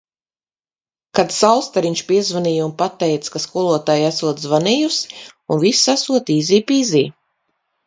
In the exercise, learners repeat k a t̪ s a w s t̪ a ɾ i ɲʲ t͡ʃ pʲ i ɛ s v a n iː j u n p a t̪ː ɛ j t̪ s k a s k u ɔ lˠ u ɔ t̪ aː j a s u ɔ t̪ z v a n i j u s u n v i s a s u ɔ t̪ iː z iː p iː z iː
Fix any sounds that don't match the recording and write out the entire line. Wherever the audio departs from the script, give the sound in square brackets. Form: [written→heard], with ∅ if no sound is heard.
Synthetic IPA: k a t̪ s a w s t̪ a ɾ i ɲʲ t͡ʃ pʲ i ɛ [s→z] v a n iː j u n p a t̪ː ɛ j t̪ s k a s k u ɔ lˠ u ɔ t̪ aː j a s u ɔ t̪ z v a n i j u s u n v i s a s u ɔ t̪ iː z iː p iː z iː